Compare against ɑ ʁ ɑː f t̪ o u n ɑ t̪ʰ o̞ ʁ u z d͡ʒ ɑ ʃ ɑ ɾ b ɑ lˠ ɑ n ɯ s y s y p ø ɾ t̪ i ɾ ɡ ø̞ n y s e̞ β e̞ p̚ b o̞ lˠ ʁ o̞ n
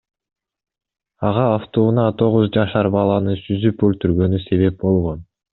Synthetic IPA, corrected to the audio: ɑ ʁ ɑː f t̪ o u n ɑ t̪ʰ o̞ ʁ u z d͡ʒ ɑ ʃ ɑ ɾ b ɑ lˠ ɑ n ɯ s y z y p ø l t̪ y ɾ ɡ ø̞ n y s e̞ β e̞ p̚ b o̞ lˠ ʁ o̞ n